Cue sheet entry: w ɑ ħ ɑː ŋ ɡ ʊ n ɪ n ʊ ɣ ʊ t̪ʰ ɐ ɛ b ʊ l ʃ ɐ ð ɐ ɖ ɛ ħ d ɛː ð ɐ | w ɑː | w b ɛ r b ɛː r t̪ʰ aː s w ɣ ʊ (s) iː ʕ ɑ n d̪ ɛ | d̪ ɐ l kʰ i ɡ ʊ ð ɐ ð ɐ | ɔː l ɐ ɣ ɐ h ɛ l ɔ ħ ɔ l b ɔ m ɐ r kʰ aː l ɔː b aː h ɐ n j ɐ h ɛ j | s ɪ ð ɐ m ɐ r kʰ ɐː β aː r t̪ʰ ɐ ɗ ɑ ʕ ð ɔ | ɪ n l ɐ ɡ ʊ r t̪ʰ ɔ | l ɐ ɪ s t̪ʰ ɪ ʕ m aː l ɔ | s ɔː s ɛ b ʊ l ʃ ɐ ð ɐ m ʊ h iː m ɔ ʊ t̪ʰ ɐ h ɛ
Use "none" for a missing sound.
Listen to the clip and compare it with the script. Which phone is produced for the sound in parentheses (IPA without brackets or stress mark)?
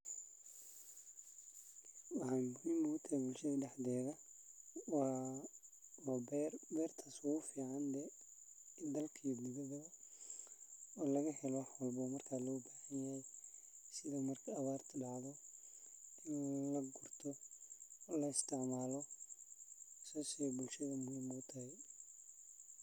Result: f